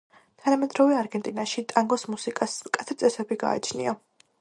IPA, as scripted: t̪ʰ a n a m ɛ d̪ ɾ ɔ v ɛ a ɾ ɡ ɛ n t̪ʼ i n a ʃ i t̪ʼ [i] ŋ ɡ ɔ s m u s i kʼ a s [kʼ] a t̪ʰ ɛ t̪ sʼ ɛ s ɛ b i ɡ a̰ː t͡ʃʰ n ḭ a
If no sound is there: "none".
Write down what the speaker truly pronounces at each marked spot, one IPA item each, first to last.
a, kʼ

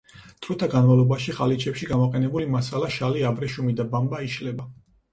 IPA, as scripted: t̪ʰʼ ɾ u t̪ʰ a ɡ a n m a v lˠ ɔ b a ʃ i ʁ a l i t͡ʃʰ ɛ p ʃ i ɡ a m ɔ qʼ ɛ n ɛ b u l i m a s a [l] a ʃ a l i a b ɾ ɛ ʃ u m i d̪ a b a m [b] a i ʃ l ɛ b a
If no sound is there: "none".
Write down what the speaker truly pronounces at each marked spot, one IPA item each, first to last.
l, b

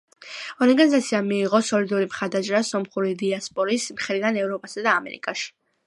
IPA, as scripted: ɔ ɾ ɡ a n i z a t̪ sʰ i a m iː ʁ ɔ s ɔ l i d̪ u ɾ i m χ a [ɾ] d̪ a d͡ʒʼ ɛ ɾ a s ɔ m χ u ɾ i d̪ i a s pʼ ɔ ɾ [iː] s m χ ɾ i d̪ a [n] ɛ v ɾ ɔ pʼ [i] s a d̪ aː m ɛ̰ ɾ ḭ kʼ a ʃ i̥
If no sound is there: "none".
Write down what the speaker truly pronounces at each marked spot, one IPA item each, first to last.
ɾ, i, n, a

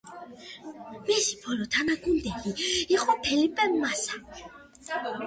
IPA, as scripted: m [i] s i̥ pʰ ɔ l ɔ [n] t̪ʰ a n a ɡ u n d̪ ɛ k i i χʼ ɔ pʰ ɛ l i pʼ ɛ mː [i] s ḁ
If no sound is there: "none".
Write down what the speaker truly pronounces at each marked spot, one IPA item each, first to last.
ɛ, none, a

